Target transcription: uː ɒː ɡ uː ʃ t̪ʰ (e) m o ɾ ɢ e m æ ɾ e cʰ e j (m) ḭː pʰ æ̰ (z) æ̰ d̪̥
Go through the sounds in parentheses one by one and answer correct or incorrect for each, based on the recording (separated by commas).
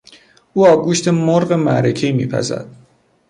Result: correct, correct, correct